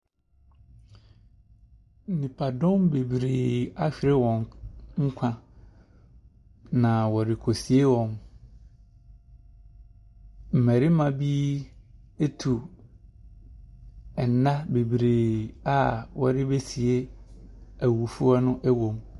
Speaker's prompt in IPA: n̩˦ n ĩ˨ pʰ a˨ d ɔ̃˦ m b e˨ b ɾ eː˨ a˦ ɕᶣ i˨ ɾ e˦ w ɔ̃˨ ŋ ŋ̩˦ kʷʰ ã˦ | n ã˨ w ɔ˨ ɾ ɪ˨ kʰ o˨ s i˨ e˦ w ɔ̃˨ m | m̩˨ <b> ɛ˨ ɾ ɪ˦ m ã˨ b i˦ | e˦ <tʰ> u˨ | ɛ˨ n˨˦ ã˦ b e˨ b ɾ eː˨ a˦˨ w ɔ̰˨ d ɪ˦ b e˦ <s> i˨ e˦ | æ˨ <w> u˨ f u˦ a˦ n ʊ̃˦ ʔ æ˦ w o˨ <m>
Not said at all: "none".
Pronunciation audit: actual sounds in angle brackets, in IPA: m, tʰ, s, w, m

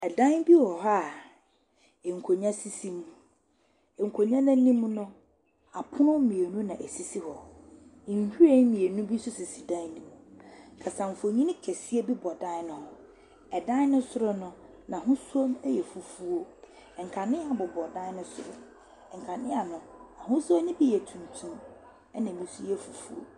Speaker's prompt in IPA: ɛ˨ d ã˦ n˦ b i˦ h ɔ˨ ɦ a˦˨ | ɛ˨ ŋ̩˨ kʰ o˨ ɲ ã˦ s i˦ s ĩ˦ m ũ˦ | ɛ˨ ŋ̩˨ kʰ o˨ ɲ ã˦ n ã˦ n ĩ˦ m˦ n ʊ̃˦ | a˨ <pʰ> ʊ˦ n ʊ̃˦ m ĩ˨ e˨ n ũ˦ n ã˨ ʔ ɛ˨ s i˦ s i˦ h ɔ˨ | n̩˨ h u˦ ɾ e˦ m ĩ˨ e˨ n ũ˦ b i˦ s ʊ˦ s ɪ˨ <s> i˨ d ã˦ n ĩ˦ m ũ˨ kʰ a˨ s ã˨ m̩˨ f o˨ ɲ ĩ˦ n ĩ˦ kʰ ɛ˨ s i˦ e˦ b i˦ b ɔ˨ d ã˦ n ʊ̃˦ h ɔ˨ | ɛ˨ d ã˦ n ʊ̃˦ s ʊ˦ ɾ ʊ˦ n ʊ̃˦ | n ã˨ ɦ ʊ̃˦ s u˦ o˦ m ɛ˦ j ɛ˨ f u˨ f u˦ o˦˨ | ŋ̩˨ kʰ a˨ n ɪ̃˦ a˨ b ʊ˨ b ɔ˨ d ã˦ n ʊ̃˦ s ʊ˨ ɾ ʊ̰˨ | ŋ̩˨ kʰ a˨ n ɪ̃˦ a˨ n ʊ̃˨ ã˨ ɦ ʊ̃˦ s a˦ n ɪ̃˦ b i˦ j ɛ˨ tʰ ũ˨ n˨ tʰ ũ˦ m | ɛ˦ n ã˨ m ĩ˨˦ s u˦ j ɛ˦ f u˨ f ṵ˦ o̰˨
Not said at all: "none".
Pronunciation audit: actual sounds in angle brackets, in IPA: pʰ, s

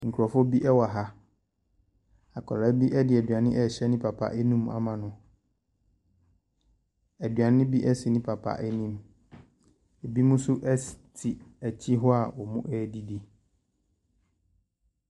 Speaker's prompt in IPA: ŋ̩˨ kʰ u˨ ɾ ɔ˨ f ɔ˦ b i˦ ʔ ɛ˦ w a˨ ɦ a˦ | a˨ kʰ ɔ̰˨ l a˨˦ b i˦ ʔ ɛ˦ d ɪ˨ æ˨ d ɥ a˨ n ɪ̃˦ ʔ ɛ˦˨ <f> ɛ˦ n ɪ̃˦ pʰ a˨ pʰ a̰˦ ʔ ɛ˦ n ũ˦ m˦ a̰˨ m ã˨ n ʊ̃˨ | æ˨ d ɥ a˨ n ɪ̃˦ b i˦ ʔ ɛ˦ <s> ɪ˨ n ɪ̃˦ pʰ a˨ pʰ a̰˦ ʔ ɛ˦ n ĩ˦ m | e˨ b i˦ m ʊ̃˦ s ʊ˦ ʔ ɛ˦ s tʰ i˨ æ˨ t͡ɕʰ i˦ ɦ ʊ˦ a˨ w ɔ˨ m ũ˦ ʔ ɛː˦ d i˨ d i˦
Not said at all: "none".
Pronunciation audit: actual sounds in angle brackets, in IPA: ɕ, s

